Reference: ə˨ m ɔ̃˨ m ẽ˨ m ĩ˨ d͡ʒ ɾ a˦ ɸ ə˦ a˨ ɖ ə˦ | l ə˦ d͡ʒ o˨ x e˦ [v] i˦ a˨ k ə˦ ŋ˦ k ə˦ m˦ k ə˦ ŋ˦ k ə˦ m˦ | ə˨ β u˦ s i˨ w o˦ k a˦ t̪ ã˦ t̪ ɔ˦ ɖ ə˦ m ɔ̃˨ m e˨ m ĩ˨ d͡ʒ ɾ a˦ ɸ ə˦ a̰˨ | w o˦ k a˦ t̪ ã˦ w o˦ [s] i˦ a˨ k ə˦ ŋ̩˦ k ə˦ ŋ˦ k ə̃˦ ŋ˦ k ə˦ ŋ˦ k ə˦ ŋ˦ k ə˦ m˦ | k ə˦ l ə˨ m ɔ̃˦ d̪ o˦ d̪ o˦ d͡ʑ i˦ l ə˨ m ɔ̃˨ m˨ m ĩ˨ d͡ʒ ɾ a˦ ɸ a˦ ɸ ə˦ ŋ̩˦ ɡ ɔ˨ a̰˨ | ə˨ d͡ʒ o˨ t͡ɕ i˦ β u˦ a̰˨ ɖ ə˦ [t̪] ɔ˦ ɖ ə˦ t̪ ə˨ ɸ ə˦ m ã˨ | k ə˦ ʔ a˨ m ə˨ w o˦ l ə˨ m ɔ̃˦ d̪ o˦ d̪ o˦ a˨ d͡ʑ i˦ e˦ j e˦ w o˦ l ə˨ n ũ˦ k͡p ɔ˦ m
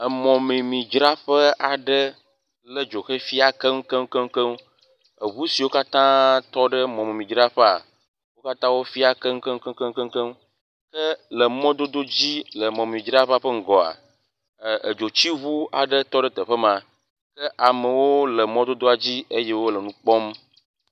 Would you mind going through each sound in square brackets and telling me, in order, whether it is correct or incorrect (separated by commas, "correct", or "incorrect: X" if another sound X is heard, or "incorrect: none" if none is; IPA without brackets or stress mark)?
incorrect: f, incorrect: f, correct